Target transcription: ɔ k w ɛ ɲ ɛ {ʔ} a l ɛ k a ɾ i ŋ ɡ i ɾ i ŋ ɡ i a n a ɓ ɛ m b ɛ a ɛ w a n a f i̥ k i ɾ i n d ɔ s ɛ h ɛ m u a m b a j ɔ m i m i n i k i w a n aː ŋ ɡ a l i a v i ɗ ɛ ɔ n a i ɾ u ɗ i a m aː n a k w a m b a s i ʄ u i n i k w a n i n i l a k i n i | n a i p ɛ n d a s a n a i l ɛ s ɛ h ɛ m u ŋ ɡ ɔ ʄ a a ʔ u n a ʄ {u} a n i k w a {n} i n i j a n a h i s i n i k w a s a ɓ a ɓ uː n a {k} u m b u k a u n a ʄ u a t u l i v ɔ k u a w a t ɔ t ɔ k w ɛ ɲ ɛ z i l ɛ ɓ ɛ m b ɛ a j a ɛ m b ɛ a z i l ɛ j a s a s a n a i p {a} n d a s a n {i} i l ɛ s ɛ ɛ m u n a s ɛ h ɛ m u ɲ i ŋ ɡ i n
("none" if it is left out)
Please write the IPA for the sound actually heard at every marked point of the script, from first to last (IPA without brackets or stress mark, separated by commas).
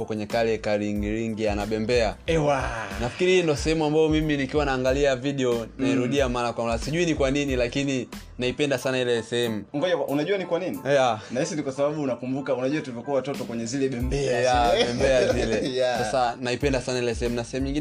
k, u, n, k, ɛ, a